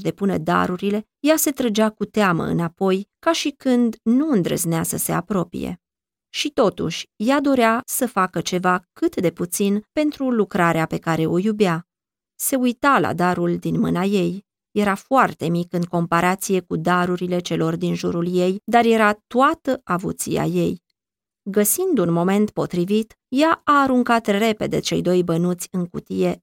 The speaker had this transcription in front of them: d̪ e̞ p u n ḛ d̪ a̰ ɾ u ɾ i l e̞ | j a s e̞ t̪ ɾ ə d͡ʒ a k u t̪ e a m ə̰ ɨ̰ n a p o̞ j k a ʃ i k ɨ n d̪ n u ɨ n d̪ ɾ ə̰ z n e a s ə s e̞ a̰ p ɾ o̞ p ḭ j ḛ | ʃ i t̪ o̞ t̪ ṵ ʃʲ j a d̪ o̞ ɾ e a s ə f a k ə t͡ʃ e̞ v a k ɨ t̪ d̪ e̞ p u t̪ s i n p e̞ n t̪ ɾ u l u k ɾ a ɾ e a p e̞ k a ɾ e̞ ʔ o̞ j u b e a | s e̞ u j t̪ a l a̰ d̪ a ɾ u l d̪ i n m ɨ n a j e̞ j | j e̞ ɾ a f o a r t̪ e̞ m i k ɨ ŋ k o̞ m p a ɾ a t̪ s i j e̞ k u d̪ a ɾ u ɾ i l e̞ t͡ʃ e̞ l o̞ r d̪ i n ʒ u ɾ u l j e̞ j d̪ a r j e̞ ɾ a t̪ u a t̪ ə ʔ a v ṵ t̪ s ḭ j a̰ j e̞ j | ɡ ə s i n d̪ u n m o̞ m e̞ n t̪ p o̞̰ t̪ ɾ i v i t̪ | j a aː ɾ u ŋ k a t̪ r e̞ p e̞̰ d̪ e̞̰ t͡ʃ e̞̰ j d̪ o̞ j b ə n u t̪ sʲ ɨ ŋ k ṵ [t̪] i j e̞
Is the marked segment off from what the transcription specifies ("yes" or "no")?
no